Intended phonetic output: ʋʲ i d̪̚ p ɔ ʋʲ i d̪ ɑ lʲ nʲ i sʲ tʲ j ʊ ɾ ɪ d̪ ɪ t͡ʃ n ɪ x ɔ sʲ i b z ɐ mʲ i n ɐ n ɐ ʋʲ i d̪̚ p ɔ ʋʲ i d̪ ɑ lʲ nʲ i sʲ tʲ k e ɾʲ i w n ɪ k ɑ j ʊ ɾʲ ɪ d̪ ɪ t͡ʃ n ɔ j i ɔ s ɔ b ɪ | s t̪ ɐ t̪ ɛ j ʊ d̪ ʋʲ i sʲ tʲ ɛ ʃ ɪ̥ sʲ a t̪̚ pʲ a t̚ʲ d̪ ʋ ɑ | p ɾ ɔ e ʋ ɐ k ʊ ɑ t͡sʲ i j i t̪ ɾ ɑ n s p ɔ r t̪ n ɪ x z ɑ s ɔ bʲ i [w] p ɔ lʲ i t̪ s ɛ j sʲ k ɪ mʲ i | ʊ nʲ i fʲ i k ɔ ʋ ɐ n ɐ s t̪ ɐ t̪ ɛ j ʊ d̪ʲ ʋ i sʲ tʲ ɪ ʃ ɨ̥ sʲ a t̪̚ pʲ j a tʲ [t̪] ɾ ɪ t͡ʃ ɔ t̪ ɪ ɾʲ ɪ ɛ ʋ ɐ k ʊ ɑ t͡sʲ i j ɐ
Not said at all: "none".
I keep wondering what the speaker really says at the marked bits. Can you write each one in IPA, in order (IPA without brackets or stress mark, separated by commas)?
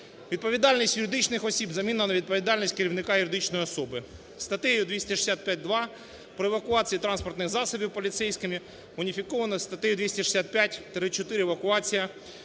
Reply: w, t̪